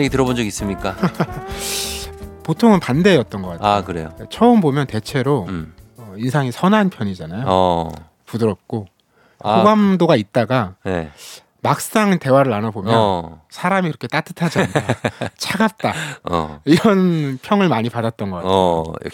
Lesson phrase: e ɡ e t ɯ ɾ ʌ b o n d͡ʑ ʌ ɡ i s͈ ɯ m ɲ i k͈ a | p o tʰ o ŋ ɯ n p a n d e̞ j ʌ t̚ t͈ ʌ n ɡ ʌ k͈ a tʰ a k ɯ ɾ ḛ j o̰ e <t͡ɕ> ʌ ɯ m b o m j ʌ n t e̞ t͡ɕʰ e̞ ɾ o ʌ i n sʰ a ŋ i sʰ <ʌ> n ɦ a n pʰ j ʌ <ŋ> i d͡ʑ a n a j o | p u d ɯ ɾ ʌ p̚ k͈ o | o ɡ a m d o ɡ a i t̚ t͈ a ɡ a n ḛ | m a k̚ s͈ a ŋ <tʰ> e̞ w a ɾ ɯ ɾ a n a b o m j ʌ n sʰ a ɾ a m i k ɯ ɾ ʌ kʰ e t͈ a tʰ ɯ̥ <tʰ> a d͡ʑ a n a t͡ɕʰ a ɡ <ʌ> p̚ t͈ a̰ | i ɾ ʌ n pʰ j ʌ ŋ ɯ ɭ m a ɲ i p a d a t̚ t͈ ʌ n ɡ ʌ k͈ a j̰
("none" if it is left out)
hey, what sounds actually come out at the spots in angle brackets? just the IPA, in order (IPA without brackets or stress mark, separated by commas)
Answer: t͡ɕʰ, ʌ, ɲ, t, tʰ, a